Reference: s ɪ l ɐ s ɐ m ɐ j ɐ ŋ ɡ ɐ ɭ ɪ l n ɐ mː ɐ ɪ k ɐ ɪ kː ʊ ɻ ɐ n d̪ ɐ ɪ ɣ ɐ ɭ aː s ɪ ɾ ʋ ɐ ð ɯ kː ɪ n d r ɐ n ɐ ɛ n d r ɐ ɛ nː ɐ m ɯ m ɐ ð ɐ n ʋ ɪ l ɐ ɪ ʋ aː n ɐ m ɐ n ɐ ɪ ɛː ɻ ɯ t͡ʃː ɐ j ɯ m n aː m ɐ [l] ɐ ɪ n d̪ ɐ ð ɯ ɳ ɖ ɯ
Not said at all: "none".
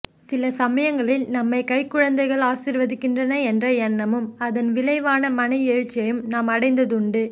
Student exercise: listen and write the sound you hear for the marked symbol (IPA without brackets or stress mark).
ɽ